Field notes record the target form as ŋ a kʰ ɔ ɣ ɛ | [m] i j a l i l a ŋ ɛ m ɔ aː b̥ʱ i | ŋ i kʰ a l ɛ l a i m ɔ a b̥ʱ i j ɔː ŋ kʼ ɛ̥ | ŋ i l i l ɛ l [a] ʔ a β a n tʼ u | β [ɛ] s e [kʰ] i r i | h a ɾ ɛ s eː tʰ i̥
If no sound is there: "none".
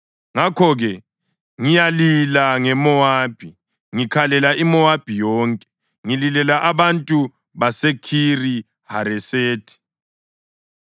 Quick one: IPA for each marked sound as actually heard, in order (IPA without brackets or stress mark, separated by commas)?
ŋ, a, a, kʰ